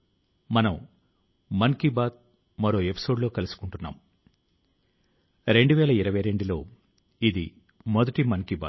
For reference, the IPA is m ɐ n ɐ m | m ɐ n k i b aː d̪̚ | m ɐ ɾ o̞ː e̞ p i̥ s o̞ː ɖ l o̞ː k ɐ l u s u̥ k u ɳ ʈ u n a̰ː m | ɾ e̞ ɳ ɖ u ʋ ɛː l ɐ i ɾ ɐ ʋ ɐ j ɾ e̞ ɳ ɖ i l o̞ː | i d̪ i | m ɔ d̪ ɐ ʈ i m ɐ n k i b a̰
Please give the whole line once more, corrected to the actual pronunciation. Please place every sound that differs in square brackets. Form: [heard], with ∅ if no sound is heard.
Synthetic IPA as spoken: m ɐ n ɐ m | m ɐ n k i b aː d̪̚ | m ɐ ɾ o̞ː e̞ p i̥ s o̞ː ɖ l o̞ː k ɐ l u s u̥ k u ɳ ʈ u [nː] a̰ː m | ɾ e̞ ɳ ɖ u ʋ ɛː l ɐ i ɾ ɐ ʋ ɐ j ɾ e̞ ɳ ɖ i l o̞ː | i d̪ i | m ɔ d̪ ɐ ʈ i m ɐ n k i b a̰